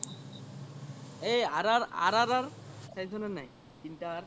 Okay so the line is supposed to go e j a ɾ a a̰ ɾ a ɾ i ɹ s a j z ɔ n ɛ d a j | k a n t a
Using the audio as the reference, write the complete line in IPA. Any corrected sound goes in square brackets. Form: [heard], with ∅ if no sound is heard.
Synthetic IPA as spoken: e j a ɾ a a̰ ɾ a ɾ [a] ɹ s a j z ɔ n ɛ [n] a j | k [i] n t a